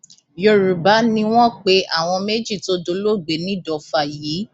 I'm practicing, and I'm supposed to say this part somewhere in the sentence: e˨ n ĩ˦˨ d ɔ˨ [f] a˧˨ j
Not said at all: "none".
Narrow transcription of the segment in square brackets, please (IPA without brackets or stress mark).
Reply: f